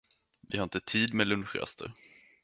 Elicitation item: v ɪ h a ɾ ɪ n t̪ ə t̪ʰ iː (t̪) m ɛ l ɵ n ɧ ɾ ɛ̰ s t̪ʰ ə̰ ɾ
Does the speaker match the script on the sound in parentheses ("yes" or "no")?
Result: no